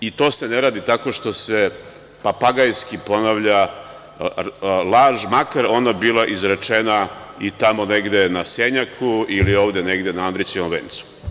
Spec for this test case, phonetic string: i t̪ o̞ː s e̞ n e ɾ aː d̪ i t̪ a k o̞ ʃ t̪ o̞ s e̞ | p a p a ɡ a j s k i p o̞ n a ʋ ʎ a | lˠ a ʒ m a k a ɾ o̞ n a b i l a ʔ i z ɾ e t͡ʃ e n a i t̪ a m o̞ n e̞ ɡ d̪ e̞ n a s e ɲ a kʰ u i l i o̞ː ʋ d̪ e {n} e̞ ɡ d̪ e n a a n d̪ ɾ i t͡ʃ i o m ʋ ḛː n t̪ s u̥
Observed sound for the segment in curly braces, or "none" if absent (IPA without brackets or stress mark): n